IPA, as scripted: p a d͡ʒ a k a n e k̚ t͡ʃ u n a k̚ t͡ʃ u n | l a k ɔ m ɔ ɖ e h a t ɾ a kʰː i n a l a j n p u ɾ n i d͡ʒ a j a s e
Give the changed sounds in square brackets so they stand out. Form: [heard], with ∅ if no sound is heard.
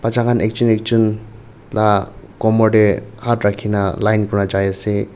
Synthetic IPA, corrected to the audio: p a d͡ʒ a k a n e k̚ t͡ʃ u n [e] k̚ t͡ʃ u n | l a k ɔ m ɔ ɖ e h a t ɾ a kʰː i n a l a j n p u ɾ n [a] d͡ʒ a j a s e